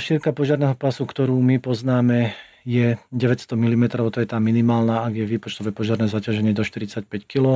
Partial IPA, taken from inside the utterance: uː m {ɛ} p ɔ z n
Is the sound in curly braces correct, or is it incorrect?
incorrect